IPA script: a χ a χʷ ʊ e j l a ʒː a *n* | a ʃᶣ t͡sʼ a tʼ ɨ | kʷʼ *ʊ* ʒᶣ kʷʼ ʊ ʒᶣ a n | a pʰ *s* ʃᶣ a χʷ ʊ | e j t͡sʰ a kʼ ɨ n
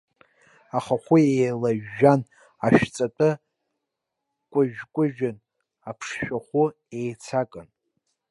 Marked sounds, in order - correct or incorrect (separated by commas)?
correct, correct, incorrect